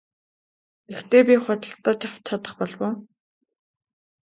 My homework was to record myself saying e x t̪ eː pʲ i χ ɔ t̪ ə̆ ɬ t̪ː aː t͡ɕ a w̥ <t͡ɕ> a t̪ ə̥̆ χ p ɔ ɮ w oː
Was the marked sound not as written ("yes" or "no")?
yes